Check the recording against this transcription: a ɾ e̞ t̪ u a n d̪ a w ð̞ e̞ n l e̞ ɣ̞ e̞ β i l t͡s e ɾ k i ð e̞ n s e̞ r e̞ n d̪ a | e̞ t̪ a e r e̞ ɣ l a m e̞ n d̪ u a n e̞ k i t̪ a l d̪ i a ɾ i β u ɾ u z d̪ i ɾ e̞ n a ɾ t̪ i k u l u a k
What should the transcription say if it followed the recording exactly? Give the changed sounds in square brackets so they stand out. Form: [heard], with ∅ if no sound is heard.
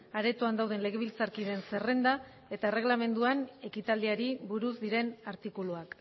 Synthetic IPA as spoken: a ɾ e̞ t̪ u a n d̪ a w ð̞ e̞ n l e̞ ɣ̞ e̞ β i l t͡s [a] ɾ k i ð e̞ n s e̞ r e̞ n d̪ a | e̞ t̪ a e r e̞ ɣ l a m e̞ n d̪ u a n e̞ k i t̪ a l d̪ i a ɾ i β u ɾ u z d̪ i ɾ e̞ n a ɾ t̪ i k u l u a k